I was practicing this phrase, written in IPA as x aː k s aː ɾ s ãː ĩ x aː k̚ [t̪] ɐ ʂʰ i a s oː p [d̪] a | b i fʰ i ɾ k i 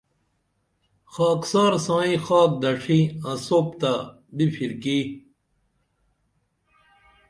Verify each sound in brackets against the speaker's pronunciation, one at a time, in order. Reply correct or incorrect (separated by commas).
incorrect, incorrect